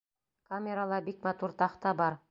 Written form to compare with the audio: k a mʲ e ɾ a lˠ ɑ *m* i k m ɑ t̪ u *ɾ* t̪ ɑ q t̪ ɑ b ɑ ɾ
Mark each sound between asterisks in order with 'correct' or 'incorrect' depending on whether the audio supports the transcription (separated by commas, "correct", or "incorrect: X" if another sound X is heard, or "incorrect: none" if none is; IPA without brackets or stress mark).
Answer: incorrect: b, correct